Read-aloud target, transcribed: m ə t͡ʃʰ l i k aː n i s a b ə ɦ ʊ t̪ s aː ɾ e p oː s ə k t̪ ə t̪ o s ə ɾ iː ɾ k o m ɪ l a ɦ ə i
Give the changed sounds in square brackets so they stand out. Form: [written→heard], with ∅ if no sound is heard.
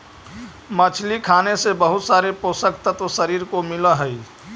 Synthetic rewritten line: m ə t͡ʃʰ l i [k→kʰ] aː n [i→e] s [a→e] b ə ɦ ʊ t̪ s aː ɾ e p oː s ə k t̪ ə t̪ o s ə ɾ iː ɾ k o m ɪ l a ɦ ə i

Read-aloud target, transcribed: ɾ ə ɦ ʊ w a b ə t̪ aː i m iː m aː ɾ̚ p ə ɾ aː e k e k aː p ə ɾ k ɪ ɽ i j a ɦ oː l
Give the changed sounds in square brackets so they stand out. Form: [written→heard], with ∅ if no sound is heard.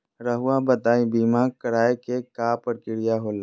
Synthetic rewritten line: ɾ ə ɦ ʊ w a b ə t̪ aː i [m→b] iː m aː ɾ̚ [p→k] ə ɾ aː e k e k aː p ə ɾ k ɪ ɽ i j a ɦ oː l

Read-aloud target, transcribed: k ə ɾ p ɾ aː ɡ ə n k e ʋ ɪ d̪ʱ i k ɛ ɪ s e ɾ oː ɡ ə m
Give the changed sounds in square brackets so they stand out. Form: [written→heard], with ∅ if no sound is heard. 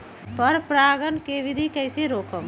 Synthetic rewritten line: [k→p] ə ɾ p ɾ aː ɡ ə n k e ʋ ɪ d̪ʱ i k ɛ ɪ s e ɾ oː [ɡ→k] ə m

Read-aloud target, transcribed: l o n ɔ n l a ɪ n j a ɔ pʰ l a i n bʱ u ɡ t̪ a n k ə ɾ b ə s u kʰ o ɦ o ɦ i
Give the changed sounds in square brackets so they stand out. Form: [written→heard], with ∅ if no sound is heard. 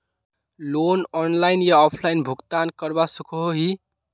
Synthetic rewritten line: l o n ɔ n l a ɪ n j a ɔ pʰ l a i n bʱ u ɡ t̪ a n k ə ɾ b [ə→a] s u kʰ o ɦ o ɦ i

